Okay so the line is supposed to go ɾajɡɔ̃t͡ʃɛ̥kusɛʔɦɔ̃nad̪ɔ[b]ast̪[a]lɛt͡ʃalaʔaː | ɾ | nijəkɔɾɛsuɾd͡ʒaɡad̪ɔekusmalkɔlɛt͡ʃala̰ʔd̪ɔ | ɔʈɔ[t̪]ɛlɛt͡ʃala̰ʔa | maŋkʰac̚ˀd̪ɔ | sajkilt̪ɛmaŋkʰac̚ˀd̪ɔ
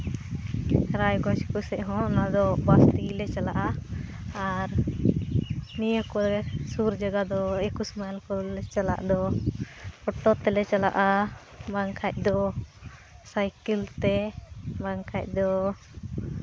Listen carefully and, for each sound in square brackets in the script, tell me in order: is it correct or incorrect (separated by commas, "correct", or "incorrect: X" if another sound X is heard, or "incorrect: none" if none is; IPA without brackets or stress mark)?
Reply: correct, incorrect: i, correct